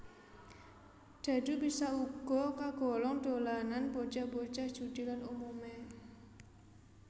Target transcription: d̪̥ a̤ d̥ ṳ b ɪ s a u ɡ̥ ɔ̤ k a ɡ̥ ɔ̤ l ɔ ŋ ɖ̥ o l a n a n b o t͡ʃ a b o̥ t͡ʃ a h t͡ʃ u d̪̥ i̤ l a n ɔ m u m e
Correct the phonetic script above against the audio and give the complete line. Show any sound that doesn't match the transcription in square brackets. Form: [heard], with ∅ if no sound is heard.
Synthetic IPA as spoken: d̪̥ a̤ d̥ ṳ b [i] s a u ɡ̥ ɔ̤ k a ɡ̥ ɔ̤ l ɔ ŋ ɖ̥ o l a n a n b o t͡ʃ a b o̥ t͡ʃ a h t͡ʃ u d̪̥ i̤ l a n [u] m u m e